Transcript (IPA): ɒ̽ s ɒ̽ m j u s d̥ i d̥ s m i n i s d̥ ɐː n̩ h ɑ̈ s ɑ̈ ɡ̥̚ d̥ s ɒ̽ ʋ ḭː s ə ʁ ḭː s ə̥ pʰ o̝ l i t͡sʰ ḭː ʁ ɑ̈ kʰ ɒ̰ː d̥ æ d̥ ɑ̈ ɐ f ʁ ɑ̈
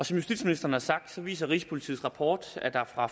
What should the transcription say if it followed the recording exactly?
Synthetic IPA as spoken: ɒ̽ s ɒ̽ m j u s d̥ i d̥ s m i n i s d̥ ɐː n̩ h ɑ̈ s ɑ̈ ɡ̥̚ d̥ s ɒ̽ ʋ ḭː s ɐ ʁ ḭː s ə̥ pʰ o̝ l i t͡sʰ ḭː ʁ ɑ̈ pʰ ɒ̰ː d̥ æ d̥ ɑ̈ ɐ f ʁ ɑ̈